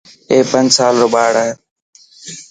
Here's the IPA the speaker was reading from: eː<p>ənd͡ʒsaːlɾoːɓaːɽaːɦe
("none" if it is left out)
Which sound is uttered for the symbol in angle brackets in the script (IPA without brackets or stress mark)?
p